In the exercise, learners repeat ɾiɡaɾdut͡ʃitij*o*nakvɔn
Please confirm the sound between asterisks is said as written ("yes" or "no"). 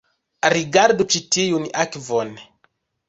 no